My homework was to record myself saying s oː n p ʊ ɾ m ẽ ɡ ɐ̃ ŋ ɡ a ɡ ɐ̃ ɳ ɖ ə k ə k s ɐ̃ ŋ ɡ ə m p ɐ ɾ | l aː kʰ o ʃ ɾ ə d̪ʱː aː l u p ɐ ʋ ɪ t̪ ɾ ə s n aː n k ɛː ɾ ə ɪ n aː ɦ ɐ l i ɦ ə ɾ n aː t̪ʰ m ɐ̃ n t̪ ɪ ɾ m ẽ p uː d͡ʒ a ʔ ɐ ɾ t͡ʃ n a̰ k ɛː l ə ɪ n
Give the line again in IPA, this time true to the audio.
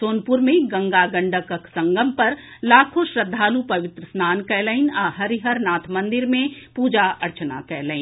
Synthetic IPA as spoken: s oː n p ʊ ɾ m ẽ ɡ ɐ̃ ŋ ɡ a ɡ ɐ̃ ɳ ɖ ə k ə k s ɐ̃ ŋ ɡ ə m p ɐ ɾ | l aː kʰ o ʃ ɾ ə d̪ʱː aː l u p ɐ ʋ ɪ t̪ ɾ ə s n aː n k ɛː l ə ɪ n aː ɦ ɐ ɾ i ɦ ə ɾ n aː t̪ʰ m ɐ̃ n d̪ ɪ ɾ m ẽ p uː d͡ʒ a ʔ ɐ ɾ t͡ʃ n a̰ k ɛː l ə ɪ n